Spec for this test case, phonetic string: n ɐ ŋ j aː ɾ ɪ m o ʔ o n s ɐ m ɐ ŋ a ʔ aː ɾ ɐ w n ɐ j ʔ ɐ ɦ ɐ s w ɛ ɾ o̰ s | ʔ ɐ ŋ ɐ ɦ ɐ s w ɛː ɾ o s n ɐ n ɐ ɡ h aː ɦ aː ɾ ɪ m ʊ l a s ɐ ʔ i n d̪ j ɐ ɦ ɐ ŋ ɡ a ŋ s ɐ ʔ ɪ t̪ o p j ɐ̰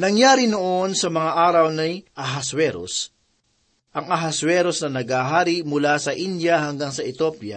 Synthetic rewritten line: n ɐ ŋ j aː ɾ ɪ n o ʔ o n s ɐ m ɐ ŋ a ʔ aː ɾ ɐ w n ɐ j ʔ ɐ ɦ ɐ s w ɛ ɾ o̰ s | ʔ ɐ ŋ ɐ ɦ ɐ s w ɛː ɾ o s n ɐ n ɐ ɡ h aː ɦ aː ɾ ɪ m ʊ l a s ɐ ʔ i n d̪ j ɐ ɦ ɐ ŋ ɡ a ŋ s ɐ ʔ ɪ t̪ o p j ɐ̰